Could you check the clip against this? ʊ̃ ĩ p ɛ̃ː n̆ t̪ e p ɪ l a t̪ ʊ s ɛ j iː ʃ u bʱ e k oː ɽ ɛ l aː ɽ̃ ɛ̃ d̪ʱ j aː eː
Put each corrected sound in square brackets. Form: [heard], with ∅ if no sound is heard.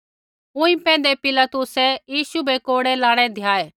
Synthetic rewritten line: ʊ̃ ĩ p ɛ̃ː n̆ [d̪] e p ɪ l a t̪ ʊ s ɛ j iː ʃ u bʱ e k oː ɽ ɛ l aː ɽ̃ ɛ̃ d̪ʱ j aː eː

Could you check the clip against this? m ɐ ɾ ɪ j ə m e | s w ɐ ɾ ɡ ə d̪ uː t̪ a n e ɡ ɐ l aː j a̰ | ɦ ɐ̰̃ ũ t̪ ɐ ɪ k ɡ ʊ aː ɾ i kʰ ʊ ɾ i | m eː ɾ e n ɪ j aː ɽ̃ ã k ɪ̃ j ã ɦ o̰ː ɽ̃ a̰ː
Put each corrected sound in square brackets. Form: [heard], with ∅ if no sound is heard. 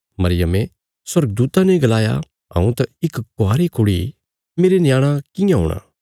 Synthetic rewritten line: m ɐ ɾ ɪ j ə m e | s w ɐ ɾ ɡ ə d̪ uː t̪ a n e ɡ ɐ l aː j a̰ | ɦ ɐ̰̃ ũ t̪ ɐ ɪ k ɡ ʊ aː ɾ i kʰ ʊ [ɽ] i | m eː ɾ e n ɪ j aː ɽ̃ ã k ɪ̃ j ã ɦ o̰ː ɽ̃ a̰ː

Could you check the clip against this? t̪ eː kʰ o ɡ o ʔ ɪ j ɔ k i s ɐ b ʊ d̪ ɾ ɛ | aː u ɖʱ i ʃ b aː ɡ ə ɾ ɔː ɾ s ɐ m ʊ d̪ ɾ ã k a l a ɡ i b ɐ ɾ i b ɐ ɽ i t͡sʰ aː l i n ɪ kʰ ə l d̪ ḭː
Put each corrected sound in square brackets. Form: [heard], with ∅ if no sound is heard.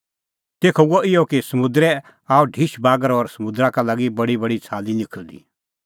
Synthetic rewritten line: t̪ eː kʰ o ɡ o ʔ ɪ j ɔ k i s ɐ [m] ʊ d̪ ɾ ɛ | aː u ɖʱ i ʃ b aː ɡ ə ɾ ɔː ɾ s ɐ m ʊ d̪ ɾ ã k a l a ɡ i b ɐ [ɽ] i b ɐ ɽ i t͡sʰ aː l i n ɪ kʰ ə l d̪ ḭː

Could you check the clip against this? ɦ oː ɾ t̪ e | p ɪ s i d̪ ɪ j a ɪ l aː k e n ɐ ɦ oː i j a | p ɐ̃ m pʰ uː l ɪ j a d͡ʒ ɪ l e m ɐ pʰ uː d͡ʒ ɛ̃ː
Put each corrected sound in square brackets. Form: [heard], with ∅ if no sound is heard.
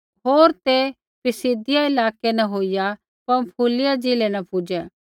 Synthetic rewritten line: ɦ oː ɾ t̪ e | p ɪ s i d̪ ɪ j a ɪ l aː k e n ɐ ɦ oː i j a | p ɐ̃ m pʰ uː l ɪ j a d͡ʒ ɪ l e [n] ɐ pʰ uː d͡ʒ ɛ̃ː

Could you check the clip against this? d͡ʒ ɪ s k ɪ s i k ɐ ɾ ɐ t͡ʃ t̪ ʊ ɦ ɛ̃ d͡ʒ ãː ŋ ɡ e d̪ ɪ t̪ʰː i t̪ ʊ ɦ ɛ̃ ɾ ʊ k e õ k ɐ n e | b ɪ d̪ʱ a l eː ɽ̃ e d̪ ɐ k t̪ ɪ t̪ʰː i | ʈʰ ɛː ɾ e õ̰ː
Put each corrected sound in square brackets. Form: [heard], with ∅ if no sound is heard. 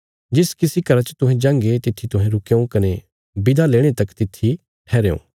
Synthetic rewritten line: d͡ʒ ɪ s k ɪ s i k ɐ ɾ [a] t͡ʃ t̪ ʊ ɦ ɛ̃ d͡ʒ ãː ŋ ɡ e [t̪] ɪ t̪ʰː i t̪ ʊ ɦ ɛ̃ ɾ ʊ k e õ k ɐ n e | b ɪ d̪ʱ a l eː ɽ̃ e [t̪] ɐ k t̪ ɪ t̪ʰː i | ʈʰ ɛː ɾ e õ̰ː

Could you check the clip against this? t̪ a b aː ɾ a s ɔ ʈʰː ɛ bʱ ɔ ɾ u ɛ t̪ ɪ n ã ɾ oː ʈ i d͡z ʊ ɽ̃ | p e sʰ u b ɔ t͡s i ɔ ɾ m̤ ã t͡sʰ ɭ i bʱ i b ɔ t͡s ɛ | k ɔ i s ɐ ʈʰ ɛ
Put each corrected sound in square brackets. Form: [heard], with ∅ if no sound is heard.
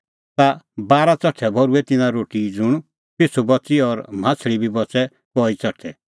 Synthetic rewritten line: t̪ a b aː ɾ a [t͡s] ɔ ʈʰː ɛ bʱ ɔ ɾ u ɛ t̪ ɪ n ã ɾ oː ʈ i d͡z ʊ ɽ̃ | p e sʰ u b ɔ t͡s i ɔ ɾ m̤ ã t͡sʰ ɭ i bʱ i b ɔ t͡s ɛ | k ɔ i [t͡s] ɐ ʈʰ ɛ

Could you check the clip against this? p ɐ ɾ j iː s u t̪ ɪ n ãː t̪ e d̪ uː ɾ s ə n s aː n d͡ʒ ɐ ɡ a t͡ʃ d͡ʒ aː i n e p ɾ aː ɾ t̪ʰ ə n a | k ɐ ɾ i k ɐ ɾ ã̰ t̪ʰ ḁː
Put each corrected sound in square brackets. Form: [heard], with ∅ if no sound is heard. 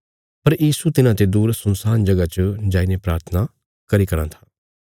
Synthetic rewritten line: p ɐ ɾ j iː s u t̪ ɪ n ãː t̪ e d̪ uː ɾ s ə n s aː n d͡ʒ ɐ ɡ a t͡ʃ d͡ʒ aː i n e p ɾ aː ɾ t̪ʰ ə n a | k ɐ ɾ i k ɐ ɾ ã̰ t̪ʰ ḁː

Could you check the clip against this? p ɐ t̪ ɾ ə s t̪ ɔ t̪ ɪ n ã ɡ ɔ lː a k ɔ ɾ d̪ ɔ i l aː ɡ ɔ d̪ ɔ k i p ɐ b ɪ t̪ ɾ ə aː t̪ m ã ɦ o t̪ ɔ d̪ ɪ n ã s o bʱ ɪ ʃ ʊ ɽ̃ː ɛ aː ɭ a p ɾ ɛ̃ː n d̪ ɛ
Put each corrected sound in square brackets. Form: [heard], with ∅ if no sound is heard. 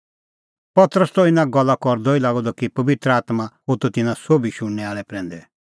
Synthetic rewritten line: p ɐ t̪ ɾ ə s t̪ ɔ [∅] ɪ n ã ɡ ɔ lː a k ɔ ɾ d̪ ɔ i l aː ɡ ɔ d̪ ɔ k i p ɐ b ɪ t̪ ɾ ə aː t̪ m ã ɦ o t̪ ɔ [t̪] ɪ n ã s o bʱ [i] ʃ ʊ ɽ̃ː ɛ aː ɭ [ɛ] p ɾ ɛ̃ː n d̪ ɛ

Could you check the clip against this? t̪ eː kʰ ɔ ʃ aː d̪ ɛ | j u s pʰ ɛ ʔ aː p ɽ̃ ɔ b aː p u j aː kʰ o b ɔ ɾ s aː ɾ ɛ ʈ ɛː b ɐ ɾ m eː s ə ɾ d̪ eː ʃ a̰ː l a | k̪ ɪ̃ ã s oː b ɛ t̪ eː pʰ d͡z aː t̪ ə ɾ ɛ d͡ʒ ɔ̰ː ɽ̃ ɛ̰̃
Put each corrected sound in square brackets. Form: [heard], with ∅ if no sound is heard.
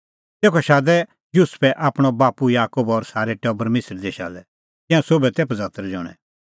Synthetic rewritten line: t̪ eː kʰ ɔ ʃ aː d̪ ɛ | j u s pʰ ɛ ʔ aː p ɽ̃ ɔ b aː p u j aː [k] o b ɔ ɾ s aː ɾ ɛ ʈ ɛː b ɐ ɾ m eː s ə ɾ d̪ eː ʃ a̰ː l [ɛ] | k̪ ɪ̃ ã s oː b ɛ t̪ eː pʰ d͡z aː t̪ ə ɾ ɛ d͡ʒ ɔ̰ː ɽ̃ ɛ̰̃

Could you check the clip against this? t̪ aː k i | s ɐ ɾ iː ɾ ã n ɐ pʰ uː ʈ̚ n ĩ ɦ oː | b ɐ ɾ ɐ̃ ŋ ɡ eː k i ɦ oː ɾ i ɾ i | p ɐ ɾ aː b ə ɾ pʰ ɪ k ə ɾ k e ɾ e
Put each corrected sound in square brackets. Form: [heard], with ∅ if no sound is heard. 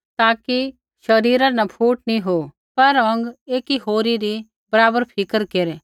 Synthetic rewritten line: t̪ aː k i | [ʃ] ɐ ɾ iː ɾ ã n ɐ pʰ uː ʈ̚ n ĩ ɦ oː | [p] ɐ ɾ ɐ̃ ŋ ɡ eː k i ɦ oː ɾ i ɾ i | [b] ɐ ɾ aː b ə ɾ pʰ ɪ k ə ɾ k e ɾ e

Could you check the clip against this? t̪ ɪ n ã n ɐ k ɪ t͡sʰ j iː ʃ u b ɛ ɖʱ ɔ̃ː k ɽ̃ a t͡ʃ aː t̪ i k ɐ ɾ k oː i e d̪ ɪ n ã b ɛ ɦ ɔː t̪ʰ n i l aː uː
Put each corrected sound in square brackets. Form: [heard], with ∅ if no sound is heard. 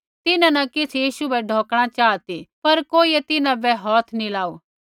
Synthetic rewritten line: t̪ ɪ n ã n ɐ k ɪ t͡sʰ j iː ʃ u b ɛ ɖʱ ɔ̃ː k ɽ̃ a t͡ʃ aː t̪ i [p] ɐ ɾ k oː i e [t̪] ɪ n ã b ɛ ɦ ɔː t̪ʰ n i l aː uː

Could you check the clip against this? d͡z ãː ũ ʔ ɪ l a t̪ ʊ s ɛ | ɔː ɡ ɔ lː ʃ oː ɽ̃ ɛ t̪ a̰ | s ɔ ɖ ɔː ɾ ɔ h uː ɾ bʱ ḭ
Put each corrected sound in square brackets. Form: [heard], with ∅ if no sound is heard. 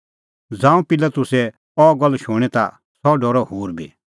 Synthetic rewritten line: d͡z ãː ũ [p] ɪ l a t̪ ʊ s ɛ | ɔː ɡ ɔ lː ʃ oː ɽ̃ ɛ t̪ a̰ | s ɔ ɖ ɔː ɾ ɔ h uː ɾ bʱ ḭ

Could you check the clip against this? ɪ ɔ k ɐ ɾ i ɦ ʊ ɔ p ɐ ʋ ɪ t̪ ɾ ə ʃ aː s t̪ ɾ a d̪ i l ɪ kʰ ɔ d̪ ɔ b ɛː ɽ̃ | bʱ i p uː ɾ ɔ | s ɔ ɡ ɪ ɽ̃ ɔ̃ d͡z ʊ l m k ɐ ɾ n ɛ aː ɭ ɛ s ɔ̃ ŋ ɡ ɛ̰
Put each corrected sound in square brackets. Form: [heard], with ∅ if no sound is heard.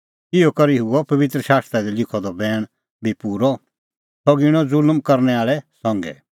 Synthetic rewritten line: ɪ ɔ k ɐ ɾ i ɦ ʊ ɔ p ɐ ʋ ɪ t̪ ɾ ə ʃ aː s t̪ ɾ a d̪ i l ɪ kʰ ɔ d̪ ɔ b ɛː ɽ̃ | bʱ i p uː ɾ ɔ | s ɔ ɡ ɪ ɽ̃ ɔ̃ d͡z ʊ l m k ɐ ɾ n ɛ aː ɭ ɛ s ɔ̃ ŋ ɡ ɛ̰

